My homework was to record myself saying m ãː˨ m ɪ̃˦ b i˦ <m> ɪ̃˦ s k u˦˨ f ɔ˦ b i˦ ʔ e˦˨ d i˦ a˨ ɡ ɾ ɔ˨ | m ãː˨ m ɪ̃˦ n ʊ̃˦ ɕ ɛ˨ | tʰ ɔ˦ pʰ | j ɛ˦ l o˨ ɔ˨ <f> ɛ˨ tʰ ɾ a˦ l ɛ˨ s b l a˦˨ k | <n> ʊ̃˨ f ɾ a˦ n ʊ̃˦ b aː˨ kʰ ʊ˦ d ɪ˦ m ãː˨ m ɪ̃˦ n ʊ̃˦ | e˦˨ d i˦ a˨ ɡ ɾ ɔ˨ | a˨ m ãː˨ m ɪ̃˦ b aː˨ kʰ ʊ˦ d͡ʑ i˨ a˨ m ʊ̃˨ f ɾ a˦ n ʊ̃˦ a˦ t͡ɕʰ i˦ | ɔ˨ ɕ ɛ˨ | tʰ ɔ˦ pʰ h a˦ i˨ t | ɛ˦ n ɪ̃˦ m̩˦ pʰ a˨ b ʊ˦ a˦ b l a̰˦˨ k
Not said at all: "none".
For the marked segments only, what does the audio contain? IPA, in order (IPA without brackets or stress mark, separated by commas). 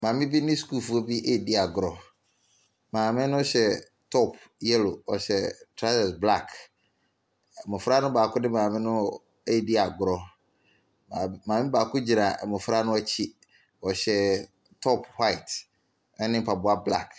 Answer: n, ɕ, m